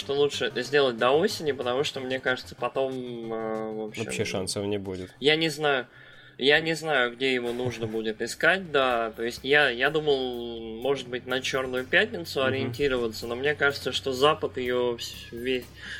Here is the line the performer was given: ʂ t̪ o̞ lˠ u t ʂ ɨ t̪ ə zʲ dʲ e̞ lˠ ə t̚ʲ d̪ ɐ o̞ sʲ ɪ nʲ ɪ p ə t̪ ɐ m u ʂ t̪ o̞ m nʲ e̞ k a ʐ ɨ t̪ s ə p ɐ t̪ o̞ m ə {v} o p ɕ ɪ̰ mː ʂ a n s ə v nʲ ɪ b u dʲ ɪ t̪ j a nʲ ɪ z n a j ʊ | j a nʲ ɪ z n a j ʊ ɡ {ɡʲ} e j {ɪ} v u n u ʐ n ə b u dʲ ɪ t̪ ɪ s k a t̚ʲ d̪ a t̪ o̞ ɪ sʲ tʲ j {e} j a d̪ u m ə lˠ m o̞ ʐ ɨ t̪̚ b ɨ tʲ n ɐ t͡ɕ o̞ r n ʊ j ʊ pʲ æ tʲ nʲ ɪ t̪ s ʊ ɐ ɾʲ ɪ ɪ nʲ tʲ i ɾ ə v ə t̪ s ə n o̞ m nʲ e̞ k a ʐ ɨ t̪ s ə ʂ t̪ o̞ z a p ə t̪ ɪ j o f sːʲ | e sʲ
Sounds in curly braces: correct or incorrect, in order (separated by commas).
correct, incorrect, correct, incorrect